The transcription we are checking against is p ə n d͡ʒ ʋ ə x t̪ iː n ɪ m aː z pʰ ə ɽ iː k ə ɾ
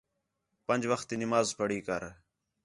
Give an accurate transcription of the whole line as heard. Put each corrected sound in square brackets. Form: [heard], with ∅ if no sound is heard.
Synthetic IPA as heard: p ə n d͡ʒ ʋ ə x t̪ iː n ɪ m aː z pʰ ə ɽ iː k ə ɾ